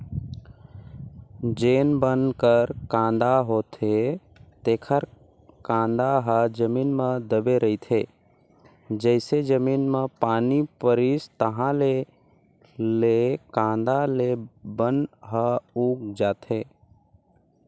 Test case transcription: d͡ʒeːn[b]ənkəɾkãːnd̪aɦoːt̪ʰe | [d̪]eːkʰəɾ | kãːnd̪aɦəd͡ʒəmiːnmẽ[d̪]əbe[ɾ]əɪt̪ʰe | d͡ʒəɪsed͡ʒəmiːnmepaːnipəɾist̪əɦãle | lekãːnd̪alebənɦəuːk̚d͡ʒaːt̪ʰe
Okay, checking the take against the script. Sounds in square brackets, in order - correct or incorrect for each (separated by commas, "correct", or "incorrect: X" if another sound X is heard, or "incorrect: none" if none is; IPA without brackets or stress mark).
correct, incorrect: t̪, correct, correct